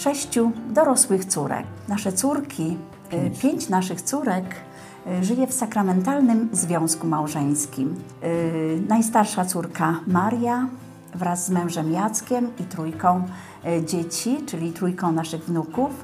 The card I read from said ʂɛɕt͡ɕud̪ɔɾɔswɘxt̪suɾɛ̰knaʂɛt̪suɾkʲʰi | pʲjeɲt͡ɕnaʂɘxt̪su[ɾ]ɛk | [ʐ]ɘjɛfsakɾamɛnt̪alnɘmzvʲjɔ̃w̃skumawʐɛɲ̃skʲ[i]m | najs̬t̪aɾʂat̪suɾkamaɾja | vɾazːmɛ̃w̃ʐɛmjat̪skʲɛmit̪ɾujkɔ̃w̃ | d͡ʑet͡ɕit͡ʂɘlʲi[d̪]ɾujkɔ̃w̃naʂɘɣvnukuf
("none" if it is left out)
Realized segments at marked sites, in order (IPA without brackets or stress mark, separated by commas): ɾ, ʐ, i, t̪